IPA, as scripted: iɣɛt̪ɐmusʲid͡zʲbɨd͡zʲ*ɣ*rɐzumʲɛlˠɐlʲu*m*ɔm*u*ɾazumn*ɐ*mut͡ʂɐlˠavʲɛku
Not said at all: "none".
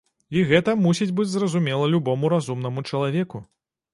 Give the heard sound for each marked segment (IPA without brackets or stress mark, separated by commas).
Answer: z, b, u, ɐ